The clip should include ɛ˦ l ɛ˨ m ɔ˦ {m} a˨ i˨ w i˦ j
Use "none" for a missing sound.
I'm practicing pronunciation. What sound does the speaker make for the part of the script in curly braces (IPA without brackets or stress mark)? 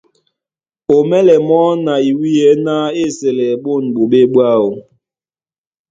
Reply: n